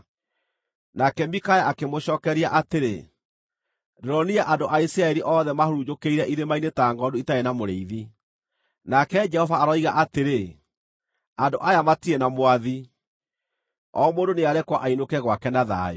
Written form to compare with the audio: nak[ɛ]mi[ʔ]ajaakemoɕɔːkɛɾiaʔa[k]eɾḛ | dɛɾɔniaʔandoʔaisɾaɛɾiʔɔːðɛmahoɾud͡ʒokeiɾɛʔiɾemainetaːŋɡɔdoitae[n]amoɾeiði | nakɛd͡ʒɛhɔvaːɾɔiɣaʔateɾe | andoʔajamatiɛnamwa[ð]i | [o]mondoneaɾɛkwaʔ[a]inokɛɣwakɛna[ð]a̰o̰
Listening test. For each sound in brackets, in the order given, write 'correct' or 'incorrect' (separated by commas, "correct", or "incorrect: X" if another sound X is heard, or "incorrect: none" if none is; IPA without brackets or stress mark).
correct, incorrect: k, incorrect: t, correct, correct, incorrect: ɔ, correct, correct